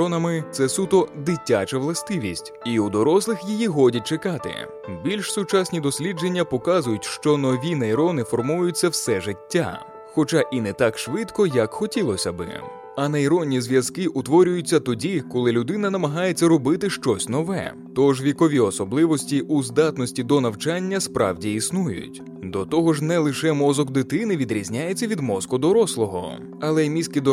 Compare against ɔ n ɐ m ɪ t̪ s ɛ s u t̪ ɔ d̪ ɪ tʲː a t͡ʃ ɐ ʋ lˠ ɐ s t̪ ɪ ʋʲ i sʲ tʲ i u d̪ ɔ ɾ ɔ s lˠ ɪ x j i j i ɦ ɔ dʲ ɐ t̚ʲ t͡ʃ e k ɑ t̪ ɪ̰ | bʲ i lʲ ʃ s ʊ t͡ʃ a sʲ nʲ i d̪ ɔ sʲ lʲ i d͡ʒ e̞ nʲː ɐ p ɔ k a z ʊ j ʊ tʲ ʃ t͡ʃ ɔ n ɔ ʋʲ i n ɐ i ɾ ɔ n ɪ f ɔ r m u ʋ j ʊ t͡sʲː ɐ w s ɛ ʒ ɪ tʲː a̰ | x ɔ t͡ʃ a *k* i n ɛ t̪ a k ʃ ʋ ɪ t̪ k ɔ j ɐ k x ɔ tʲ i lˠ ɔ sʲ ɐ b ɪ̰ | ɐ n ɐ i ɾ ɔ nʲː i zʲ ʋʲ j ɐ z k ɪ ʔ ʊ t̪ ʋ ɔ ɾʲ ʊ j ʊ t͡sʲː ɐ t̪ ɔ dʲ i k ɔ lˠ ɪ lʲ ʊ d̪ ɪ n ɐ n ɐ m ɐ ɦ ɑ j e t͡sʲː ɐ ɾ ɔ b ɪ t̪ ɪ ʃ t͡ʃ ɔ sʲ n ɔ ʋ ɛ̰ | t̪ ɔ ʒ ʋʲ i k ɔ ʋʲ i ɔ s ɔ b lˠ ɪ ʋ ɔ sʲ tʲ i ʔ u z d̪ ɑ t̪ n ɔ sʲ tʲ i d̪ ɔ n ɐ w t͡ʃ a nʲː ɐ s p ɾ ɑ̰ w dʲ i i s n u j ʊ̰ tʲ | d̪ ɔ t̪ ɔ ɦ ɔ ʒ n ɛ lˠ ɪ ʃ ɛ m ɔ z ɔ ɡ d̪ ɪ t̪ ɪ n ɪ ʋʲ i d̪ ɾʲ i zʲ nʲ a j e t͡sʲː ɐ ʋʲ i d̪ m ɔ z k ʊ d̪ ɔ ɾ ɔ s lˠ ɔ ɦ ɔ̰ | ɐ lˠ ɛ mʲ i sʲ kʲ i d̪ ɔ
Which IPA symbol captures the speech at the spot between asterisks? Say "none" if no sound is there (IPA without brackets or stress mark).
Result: ʔ